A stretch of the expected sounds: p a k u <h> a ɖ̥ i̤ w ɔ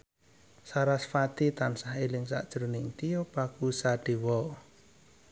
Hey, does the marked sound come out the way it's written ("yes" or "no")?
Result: no